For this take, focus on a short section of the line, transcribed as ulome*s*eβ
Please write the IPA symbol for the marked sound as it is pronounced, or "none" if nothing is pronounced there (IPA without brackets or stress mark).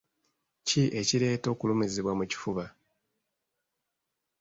z